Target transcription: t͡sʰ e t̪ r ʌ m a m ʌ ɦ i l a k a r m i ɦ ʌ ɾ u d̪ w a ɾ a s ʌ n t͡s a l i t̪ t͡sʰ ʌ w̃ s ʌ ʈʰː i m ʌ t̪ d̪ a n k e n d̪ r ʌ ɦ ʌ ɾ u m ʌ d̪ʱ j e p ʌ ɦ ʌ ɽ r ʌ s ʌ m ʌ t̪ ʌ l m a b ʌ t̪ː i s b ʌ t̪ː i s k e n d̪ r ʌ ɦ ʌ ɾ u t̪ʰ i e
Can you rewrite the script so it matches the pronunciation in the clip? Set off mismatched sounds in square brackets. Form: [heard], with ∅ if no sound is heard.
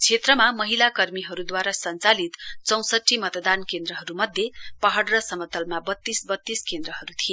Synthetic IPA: t͡sʰ e t̪ r ʌ m a m ʌ ɦ i l a k [ʌ] r m i ɦ ʌ ɾ u d̪ w a ɾ a s ʌ n t͡s a l i t̪ [t͡s] ʌ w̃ s ʌ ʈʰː i m ʌ t̪ d̪ a n k e n d̪ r ʌ ɦ ʌ ɾ u m ʌ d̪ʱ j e p ʌ ɦ ʌ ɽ r ʌ s ʌ m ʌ t̪ ʌ l m a b ʌ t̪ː i s b ʌ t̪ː i s k e n d̪ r ʌ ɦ ʌ ɾ u t̪ʰ i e